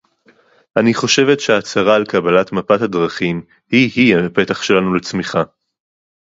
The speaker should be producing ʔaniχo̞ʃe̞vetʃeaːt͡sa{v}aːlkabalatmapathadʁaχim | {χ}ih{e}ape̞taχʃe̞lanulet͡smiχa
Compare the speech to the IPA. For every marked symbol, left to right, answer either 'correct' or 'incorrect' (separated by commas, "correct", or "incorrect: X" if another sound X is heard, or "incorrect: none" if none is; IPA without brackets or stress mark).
incorrect: ʁ, incorrect: h, incorrect: i